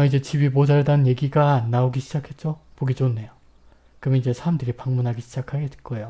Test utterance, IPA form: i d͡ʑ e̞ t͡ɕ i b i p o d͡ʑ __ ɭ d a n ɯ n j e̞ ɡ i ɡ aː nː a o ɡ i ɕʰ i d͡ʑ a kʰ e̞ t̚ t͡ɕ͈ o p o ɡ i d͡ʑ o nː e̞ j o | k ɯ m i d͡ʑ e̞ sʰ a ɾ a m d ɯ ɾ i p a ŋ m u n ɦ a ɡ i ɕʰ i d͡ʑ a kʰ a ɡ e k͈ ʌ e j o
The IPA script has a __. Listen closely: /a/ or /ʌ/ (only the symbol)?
a